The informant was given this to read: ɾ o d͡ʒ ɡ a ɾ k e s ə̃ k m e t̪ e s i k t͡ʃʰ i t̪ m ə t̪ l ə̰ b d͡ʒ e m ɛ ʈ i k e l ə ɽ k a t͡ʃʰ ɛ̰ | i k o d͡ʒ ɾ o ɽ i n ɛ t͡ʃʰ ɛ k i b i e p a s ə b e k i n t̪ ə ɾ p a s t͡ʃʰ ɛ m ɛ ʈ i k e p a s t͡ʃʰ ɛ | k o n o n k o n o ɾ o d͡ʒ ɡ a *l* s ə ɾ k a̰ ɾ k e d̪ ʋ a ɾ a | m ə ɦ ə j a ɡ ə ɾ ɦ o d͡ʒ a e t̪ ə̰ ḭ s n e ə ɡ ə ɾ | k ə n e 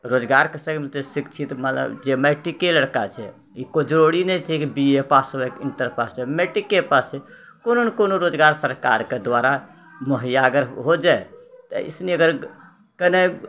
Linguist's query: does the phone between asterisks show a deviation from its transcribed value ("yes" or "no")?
yes